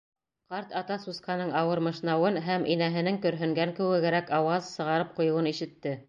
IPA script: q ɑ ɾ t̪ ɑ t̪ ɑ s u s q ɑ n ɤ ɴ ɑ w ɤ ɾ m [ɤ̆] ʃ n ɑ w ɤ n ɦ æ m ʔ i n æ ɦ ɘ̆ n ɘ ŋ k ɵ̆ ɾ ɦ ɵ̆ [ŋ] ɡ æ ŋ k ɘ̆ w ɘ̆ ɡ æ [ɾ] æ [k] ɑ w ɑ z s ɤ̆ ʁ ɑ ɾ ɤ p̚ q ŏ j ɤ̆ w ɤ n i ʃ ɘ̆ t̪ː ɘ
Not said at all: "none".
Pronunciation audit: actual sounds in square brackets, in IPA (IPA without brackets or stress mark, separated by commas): ɤ̆, ŋ, ɾ, k